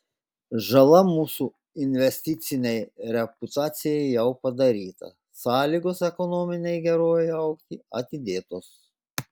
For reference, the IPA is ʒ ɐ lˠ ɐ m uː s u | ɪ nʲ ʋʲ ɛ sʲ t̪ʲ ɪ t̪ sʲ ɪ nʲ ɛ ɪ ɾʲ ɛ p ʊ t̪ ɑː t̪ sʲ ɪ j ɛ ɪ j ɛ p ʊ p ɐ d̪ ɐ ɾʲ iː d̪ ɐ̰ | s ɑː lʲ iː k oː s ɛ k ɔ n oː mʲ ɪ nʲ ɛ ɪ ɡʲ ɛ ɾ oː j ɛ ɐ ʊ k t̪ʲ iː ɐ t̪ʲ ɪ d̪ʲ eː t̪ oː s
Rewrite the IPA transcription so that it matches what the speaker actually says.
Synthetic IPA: ʒ ɐ lˠ ɐ m uː s u | ɪ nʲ ʋʲ ɛ sʲ t̪ʲ ɪ t̪ sʲ ɪ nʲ ɛ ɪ ɾʲ ɛ p ʊ t̪ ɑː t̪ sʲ ɪ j ɛ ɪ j ɛ ʊ p ɐ d̪ ɐ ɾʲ iː t̪ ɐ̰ | s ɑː lʲ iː ɡ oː s ɛ k ɔ n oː mʲ ɪ nʲ ɛ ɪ ɡʲ ɛ ɾ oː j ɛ ɐ ʊ k t̪ʲ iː ɐ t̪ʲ ɪ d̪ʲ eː t̪ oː s